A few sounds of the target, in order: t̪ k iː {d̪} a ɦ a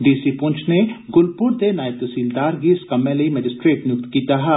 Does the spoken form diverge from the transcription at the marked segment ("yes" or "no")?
yes